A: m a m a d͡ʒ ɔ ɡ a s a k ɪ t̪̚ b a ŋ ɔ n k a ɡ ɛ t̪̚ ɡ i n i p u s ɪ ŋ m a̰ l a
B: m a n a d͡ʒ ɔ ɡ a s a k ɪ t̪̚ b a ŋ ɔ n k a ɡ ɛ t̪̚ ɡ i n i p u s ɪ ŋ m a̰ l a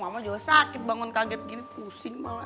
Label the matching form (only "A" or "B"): A